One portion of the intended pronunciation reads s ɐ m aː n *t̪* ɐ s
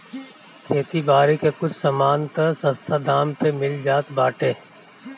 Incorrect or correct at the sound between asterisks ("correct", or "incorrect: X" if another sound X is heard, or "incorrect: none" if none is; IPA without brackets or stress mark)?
correct